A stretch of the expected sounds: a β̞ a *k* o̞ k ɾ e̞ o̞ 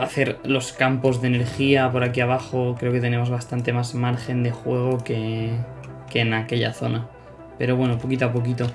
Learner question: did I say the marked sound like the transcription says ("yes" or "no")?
no